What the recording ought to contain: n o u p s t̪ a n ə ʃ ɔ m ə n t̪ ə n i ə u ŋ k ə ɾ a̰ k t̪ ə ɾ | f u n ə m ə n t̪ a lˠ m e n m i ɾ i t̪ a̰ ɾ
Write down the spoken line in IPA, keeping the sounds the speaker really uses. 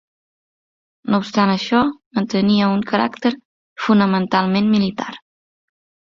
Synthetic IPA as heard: n o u p s t̪ a n ə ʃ ɔ m ə n t̪ ə n i ə u ŋ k ə ɾ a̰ k t̪ ə ɾ | f u n ə m ə n t̪ a lˠ m e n m i l i t̪ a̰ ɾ

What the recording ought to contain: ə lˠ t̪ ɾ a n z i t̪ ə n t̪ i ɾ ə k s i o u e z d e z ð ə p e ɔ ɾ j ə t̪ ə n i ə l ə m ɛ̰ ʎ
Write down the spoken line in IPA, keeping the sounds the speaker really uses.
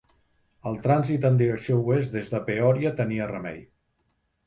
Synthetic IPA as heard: ə lˠ t̪ ɾ a n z i t̪ ə n d̪ i ɾ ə k s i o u e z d e z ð ə p e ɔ ɾ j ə t̪ ə n i ə r ə m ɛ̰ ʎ

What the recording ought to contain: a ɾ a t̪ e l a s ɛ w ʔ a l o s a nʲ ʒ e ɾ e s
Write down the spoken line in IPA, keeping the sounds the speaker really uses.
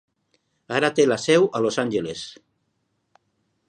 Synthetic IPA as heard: a ɾ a t̪ e l a s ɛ w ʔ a l o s a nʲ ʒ e l e s

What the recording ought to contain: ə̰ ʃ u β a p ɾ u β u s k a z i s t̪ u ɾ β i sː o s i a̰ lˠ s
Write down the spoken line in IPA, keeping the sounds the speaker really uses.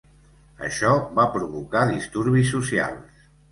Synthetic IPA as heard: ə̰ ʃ ɔ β a p ɾ u β u k a ð i s t̪ u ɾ β i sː u s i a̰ lˠ s

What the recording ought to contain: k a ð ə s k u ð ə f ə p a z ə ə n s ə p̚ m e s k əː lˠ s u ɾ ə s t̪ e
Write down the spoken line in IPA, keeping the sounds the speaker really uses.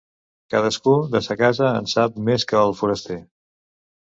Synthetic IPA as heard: k a ð ə s k u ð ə s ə k a z ə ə n s a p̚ m e s k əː lˠ f u ɾ ə s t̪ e

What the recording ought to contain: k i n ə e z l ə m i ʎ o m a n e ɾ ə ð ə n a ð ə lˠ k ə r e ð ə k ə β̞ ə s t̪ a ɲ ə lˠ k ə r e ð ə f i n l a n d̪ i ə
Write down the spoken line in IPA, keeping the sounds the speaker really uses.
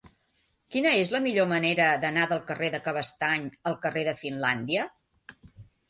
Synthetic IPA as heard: k i n ə e z l ə m i ʎ o m ə n e ɾ ə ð ə n a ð ə lˠ k ə r e ð ə k ə β̞ ə s t̪ a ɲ ə lˠ k ə r e ð ə f i n l a n d̪ i ə

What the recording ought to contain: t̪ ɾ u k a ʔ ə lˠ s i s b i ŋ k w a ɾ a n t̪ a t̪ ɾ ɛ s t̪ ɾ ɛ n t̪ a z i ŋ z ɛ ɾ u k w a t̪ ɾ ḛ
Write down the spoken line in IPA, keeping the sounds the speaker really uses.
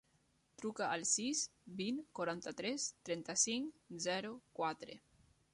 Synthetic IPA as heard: t̪ ɾ u k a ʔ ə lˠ s i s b i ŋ k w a ɾ a n t̪ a t̪ ɾ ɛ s t̪ ɾ ɛ n t̪ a s i ŋ z ɛ ɾ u k w a t̪ ɾ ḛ

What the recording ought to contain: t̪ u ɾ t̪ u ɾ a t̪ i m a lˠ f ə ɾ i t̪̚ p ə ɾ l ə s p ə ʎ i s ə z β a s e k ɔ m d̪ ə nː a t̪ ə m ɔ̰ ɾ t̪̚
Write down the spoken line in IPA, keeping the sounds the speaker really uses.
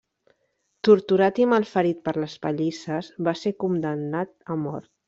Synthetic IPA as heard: t̪ u ɾ t̪ u ɾ a t̪ i m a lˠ f ə ɾ i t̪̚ p ə ɾ l ə s p ə ʎ i s ə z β a s e k u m d̪ ə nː a t̪ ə m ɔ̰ ɾ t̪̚

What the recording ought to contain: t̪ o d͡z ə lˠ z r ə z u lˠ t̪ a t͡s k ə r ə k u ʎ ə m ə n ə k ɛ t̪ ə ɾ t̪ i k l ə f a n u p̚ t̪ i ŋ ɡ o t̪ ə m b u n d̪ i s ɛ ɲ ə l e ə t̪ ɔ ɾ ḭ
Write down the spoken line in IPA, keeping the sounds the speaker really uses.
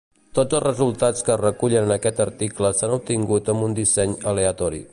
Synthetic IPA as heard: t̪ o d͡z ə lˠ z r ə z u lˠ t̪ a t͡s k ə r ə k u ʎ ə n ə n ə k ɛ t̪ ə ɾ t̪ i k l ə s a n u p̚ t̪ i ŋ ɡ u t̪ ə m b u n d̪ i s ɛ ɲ ə l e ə t̪ ɔ ɾ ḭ

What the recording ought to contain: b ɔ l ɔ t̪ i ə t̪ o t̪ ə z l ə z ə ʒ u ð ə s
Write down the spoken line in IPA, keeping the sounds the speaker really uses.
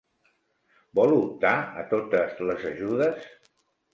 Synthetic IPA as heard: b ɔ l u t̪ a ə t̪ o t̪ ə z l ə z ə ʒ u ð ə s

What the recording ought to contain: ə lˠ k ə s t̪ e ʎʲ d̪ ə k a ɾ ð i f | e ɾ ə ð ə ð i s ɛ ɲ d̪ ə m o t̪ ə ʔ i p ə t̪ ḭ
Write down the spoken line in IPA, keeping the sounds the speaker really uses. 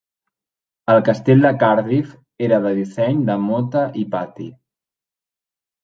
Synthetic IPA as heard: ə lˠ k ə s t̪ e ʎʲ d̪ ə k a ɾ ð i f | e ɾ ə ð ə ð i s ɛ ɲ d̪ ə m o t̪ ə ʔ i p a t̪ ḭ

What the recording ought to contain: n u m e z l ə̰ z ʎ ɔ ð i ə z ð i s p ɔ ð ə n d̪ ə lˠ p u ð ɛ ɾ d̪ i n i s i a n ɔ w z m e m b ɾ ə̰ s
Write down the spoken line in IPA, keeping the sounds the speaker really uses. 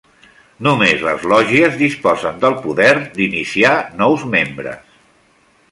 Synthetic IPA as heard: n u m e z l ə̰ z l ɔ ʒ i ə z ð i s p ɔ z ə n d̪ ə lˠ p u ð ɛ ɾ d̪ i n i s i a n ɔ w z m e m b ɾ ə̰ s

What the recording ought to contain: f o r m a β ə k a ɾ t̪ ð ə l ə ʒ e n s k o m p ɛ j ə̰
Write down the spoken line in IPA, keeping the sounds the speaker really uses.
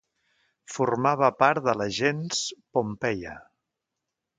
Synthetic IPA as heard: f u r m a β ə p a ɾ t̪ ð ə l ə ʒ e n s p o m p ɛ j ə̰

